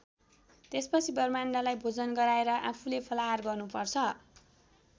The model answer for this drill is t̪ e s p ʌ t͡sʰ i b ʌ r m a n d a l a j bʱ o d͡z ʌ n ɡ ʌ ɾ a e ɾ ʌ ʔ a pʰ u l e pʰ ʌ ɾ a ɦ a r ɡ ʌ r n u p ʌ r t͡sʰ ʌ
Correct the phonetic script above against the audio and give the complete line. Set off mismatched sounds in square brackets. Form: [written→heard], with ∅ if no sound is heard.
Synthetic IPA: t̪ e s p ʌ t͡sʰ i b ʌ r m a n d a l a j bʱ o d͡z ʌ n ɡ ʌ ɾ a e ɾ ʌ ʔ a pʰ u l e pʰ ʌ [ɾ→l] a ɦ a r ɡ ʌ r n u p ʌ r t͡sʰ ʌ